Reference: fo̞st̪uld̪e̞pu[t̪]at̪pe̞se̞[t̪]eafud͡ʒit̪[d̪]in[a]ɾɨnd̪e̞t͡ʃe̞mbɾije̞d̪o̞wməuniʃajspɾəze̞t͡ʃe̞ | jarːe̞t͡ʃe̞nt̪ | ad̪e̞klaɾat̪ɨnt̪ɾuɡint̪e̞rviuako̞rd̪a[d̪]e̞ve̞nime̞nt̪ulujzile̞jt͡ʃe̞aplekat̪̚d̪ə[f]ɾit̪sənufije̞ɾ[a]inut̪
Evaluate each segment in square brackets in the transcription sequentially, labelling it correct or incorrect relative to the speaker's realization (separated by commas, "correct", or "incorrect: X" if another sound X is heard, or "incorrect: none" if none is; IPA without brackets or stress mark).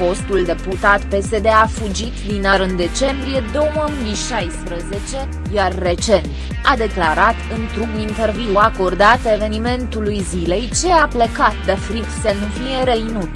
correct, incorrect: d̪, correct, correct, incorrect: t̪, correct, incorrect: e